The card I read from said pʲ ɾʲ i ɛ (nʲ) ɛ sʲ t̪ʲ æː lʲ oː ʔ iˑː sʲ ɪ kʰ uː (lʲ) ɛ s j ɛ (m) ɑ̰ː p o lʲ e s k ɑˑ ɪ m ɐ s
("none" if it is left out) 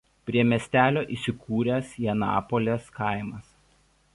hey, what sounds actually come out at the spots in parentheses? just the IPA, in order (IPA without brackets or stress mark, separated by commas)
mʲ, ɾʲ, n